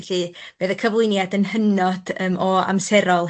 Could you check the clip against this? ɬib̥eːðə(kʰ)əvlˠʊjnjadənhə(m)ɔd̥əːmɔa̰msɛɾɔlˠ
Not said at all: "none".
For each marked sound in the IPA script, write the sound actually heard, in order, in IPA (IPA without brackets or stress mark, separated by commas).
kʰ, n